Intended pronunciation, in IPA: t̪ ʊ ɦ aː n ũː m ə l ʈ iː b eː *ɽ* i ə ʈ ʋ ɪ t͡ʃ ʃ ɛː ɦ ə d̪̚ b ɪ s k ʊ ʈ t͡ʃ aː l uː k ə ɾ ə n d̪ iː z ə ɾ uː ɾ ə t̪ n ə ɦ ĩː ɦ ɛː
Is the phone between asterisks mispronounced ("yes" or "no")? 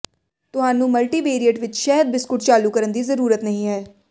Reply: yes